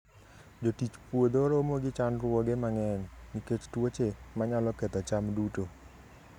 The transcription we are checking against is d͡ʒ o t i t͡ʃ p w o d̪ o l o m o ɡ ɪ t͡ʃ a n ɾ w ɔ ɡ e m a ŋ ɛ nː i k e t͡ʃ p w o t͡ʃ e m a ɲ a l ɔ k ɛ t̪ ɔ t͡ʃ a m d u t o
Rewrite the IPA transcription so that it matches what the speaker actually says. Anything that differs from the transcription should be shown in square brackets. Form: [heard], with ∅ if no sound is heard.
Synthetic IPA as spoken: d͡ʒ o t i t͡ʃ p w o d̪ o [ɾ] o m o ɡ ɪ t͡ʃ a n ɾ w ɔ ɡ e m a ŋ ɛ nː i k e t͡ʃ [t] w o t͡ʃ e m a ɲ a l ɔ k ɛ t̪ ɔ t͡ʃ a m d u t o

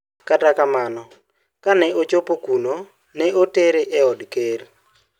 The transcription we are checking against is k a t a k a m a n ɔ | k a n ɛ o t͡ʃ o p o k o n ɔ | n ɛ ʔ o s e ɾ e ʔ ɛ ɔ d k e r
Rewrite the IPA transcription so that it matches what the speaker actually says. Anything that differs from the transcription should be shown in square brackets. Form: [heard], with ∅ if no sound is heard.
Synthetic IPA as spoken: k a t a k a m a n ɔ | k a n ɛ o t͡ʃ o p o k [u] n [o] | n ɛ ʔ o [t] e ɾ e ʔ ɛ ɔ d k e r

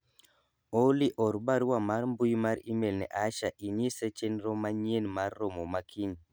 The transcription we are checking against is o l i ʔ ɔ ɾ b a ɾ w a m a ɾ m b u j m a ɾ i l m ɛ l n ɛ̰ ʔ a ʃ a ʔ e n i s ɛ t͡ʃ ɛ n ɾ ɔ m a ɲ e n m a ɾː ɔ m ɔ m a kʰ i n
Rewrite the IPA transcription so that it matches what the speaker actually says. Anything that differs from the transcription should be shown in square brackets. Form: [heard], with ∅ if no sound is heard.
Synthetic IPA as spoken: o l i ʔ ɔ ɾ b a ɾ w a m a ɾ m b u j m a ɾ i [∅] m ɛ l n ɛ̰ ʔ a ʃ a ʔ [i] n i s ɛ t͡ʃ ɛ n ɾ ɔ m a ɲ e n m a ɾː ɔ m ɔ m a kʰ i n

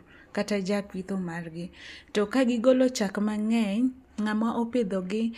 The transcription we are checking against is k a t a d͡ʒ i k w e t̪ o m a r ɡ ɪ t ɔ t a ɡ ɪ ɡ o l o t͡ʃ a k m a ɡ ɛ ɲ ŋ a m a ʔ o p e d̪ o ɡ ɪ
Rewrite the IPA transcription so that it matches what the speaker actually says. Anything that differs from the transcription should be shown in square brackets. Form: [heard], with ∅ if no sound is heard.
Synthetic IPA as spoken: k a t a d͡ʒ [a] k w [i] t̪ o m a r ɡ ɪ t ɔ [k] a ɡ ɪ ɡ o l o t͡ʃ a k m a [ŋ] ɛ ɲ ŋ a m a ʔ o p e d̪ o ɡ ɪ

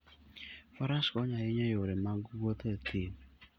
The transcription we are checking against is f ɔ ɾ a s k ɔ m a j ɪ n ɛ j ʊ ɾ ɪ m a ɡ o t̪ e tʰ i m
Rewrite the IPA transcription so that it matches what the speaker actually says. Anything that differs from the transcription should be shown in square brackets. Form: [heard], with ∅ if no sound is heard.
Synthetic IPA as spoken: f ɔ ɾ a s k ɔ [ɲ] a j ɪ [ɲ] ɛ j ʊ ɾ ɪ m a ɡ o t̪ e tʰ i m

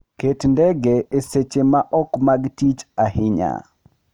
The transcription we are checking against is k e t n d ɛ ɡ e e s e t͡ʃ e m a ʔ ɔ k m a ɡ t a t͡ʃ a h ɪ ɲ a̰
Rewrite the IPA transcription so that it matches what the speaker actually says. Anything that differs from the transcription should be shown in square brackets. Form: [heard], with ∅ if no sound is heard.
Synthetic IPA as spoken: k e t n d ɛ ɡ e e s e t͡ʃ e m a ʔ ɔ k m a ɡ t [i] t͡ʃ a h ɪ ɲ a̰

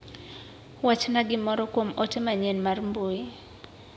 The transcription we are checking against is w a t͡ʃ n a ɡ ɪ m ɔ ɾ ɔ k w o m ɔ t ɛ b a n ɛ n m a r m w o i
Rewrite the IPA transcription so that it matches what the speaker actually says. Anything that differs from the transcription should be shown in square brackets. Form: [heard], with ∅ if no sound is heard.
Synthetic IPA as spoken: w a t͡ʃ n a ɡ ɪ m ɔ ɾ ɔ k w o m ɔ t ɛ [m] a [ɲ] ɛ n m a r m [b] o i

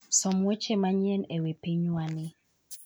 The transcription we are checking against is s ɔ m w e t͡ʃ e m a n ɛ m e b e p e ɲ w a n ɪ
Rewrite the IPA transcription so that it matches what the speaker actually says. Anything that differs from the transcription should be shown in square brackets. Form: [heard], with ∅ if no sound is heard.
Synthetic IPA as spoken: s ɔ m w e t͡ʃ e m a [ɲ] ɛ [n] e [w] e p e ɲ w a n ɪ

